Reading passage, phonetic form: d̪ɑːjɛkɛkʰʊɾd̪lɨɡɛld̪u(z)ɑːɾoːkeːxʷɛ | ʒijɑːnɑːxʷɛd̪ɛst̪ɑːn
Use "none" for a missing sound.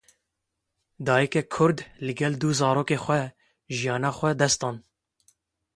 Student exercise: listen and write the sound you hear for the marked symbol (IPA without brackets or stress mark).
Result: z